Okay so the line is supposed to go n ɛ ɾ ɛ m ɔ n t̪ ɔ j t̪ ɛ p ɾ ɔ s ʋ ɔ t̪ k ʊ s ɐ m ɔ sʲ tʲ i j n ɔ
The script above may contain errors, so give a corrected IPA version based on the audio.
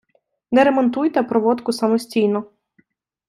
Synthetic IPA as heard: n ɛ ɾ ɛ m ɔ n t̪ u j t̪ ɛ p ɾ ɔ ʋ ɔ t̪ k ʊ s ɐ m ɔ sʲ tʲ i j n ɔ